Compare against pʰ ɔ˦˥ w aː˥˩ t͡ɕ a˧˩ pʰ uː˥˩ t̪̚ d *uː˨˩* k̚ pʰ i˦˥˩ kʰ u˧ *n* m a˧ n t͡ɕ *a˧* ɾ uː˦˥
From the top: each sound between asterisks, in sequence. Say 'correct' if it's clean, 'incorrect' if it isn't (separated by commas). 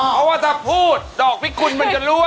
incorrect, correct, incorrect